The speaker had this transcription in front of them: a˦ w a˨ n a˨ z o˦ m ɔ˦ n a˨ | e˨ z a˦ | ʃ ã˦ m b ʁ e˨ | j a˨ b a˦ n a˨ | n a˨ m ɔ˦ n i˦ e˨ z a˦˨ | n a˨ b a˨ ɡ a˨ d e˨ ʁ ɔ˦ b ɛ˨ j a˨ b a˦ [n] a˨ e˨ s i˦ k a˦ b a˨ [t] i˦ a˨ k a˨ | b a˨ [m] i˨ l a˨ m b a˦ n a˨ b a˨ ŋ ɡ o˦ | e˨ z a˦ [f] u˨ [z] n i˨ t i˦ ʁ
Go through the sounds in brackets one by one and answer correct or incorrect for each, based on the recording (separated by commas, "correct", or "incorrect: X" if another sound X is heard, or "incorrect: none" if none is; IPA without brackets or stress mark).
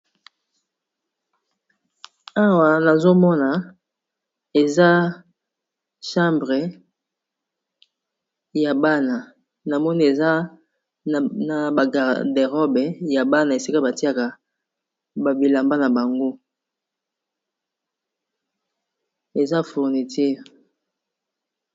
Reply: correct, correct, incorrect: b, correct, incorrect: ʁ